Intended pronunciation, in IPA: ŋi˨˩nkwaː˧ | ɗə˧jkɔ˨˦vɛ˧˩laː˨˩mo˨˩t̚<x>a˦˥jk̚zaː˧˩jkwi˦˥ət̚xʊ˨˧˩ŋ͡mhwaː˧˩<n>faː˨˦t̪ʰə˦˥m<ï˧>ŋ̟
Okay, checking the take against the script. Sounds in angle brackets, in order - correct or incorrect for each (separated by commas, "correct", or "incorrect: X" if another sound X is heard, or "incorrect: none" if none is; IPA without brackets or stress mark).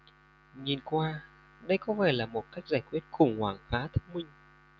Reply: incorrect: k, incorrect: ŋ, correct